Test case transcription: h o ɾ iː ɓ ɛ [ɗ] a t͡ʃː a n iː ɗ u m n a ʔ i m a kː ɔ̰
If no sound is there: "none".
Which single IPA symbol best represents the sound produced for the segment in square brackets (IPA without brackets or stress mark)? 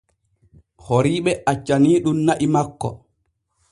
none